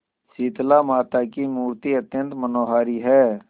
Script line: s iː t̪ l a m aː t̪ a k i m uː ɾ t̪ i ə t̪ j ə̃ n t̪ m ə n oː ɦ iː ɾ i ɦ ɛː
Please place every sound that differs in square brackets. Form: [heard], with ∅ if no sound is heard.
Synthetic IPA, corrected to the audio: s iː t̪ l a m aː t̪ a k i m uː ɾ t̪ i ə t̪ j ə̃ n t̪ m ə n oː ɦ [aː] ɾ i ɦ ɛː